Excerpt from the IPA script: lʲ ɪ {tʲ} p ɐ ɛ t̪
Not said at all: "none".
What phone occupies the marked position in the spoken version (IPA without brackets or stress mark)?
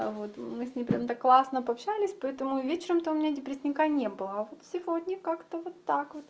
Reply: sʲ